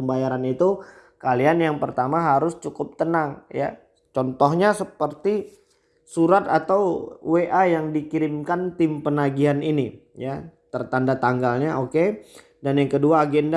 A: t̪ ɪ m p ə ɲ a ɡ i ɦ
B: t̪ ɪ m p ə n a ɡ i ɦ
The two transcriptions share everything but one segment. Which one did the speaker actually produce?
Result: B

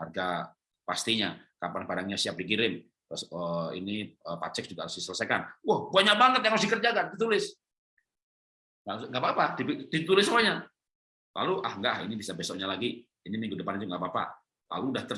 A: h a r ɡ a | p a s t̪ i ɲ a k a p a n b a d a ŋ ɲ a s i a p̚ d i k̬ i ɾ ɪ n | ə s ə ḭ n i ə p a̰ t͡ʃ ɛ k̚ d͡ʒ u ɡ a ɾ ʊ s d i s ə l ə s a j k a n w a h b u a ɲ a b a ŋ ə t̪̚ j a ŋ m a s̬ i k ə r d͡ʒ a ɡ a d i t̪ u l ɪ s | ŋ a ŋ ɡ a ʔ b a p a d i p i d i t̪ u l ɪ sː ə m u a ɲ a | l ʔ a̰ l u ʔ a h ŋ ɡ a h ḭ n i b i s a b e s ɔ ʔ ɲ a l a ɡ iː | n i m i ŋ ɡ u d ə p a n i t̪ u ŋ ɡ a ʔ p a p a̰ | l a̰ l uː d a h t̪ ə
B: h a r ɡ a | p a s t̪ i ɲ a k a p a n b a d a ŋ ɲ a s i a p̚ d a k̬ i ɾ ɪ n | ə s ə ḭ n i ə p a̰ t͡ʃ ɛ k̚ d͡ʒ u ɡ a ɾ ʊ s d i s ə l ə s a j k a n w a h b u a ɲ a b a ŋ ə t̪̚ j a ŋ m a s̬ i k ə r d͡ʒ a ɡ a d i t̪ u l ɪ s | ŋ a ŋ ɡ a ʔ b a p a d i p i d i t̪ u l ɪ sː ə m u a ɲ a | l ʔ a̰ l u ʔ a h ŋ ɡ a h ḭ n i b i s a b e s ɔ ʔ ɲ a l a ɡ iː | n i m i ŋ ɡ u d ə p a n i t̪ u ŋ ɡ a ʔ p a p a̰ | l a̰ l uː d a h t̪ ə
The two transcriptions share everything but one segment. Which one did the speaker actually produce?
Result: A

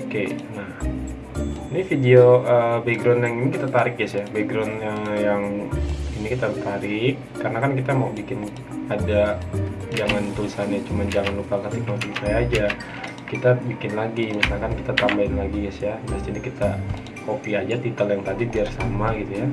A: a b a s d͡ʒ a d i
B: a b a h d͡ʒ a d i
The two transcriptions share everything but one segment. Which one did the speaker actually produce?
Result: A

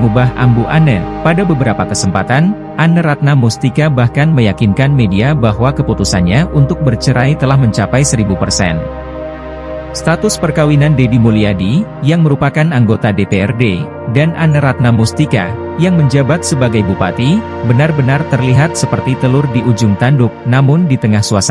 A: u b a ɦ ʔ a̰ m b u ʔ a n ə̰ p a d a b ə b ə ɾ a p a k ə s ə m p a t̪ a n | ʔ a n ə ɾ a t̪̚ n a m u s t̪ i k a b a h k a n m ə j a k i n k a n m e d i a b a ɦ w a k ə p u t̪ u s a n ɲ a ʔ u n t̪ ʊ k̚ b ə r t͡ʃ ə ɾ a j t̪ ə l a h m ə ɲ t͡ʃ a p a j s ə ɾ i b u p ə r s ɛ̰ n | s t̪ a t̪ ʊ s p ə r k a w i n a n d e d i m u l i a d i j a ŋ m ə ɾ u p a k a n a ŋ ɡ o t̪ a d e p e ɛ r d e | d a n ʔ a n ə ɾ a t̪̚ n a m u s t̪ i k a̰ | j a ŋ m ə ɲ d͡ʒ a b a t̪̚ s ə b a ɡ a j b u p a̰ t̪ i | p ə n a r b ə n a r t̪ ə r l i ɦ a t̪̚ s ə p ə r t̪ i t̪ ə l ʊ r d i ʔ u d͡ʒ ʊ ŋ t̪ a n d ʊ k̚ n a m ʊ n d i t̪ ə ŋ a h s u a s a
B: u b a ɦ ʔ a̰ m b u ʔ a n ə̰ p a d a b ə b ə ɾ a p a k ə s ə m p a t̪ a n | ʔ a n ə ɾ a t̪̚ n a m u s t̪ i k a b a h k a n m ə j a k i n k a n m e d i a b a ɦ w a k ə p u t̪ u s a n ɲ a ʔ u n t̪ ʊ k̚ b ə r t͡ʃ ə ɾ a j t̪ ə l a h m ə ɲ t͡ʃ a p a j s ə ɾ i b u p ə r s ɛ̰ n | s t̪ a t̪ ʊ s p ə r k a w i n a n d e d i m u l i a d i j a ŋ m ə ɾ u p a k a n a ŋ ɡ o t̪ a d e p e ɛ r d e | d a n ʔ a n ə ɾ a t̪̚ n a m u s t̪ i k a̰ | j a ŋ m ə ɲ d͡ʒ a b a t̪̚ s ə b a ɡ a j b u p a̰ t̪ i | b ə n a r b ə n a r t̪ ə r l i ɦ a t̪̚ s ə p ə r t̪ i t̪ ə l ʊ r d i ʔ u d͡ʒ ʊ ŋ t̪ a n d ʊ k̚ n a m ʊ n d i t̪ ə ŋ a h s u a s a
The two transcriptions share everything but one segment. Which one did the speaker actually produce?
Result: B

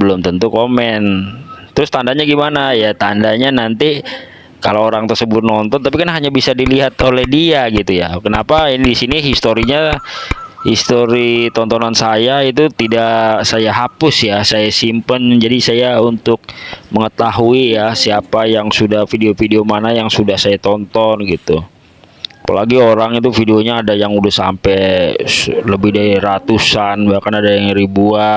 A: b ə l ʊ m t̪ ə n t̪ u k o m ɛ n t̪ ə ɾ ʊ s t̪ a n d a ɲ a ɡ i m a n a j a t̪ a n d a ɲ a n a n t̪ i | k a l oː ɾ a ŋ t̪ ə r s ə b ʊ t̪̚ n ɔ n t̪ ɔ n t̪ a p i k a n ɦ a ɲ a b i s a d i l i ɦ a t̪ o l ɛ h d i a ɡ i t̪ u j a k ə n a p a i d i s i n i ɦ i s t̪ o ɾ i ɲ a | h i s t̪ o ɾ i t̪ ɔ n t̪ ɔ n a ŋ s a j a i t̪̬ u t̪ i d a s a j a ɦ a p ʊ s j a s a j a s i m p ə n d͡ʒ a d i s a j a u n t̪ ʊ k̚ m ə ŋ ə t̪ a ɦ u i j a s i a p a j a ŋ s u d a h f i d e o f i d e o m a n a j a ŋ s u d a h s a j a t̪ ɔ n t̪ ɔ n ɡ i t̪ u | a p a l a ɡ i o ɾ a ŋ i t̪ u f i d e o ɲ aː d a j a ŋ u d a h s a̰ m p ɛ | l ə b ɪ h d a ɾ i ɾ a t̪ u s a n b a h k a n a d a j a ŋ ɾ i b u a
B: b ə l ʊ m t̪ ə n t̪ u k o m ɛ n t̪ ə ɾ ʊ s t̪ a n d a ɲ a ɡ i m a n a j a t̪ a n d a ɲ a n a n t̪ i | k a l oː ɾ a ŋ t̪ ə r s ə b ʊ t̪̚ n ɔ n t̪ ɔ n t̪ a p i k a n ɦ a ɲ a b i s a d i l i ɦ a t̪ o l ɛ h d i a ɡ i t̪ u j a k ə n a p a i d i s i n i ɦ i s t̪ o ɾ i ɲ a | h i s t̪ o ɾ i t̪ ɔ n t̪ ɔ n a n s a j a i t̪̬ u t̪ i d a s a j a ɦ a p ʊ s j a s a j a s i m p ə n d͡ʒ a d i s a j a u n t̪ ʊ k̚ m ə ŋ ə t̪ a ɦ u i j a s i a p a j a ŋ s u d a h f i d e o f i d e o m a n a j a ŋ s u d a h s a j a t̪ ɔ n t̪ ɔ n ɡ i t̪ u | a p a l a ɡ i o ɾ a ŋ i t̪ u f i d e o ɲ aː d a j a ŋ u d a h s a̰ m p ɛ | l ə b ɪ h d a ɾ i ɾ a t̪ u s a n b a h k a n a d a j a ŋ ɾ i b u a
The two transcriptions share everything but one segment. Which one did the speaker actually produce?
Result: B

